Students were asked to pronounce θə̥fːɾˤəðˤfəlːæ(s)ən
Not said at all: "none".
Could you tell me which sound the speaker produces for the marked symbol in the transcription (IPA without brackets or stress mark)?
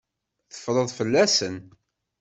s